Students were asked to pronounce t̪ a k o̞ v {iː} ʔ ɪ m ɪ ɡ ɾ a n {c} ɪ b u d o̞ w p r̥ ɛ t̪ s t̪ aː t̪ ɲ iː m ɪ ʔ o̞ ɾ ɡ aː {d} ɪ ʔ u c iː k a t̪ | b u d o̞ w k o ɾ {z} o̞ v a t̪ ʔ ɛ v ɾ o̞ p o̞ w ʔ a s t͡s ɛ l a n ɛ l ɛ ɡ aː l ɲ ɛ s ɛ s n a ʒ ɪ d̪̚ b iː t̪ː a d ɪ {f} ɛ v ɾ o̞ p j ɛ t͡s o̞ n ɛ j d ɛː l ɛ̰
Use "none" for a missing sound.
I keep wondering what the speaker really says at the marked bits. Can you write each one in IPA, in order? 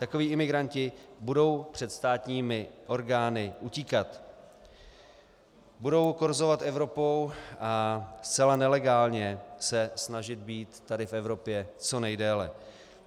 iː, c, n, z, f

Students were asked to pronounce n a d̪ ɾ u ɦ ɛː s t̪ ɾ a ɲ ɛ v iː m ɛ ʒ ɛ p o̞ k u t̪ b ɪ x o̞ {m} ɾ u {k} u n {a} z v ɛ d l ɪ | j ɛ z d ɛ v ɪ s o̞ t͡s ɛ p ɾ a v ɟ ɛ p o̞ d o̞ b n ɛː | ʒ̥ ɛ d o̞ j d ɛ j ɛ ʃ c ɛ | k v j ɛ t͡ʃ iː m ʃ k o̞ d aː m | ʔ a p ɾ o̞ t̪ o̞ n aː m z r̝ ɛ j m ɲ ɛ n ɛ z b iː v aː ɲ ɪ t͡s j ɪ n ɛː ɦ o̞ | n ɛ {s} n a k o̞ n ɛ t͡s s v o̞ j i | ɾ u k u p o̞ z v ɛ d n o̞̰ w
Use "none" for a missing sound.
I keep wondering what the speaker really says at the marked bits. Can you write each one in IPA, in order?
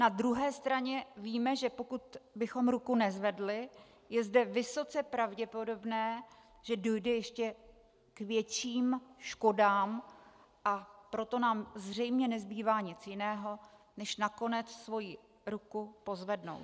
m, k, ɛ, ʃ

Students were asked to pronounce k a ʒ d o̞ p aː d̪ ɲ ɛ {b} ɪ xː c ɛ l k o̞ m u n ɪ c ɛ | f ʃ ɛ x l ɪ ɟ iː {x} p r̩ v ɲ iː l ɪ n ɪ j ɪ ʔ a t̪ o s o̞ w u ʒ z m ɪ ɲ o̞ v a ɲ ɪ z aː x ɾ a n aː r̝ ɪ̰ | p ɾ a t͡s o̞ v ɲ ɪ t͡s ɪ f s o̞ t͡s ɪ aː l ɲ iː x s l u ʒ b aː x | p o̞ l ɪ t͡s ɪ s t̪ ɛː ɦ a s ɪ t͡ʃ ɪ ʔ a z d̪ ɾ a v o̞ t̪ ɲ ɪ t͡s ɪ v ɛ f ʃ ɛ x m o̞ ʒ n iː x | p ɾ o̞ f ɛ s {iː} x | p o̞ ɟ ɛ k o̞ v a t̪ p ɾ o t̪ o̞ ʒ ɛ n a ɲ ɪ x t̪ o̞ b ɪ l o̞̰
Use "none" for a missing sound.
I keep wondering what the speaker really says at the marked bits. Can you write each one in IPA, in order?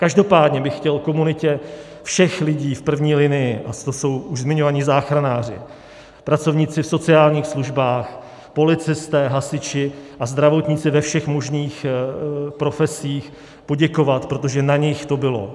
b, f, iː

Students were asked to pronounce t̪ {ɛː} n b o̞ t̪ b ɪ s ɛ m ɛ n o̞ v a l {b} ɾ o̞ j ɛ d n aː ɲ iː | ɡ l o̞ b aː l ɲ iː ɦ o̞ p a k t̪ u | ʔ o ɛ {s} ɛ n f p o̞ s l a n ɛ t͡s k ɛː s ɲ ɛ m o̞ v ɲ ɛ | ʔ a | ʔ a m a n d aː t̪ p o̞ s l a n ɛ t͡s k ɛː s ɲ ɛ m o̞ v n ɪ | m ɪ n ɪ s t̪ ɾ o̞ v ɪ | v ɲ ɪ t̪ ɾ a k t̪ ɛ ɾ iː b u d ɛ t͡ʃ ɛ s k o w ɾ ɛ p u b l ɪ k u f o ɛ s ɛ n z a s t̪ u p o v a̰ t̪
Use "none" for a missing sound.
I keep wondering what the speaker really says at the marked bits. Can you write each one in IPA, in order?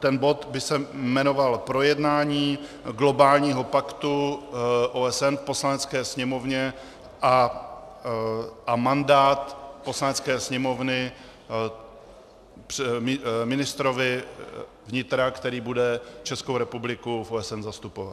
ɛ, p, s

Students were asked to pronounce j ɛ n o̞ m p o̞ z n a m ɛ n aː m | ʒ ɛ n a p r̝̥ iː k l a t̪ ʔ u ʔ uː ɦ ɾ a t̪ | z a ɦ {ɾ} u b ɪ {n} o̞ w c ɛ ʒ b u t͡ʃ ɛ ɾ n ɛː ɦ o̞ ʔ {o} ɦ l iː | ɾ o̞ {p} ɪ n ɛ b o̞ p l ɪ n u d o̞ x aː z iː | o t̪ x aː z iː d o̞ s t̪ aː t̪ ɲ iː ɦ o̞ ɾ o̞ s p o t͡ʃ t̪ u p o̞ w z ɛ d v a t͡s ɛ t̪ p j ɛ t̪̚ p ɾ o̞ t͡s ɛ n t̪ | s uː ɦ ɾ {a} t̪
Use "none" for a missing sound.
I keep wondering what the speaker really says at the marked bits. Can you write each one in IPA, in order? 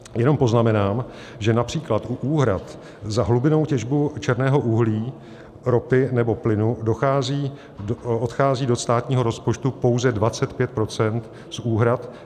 l, n, u, p, a

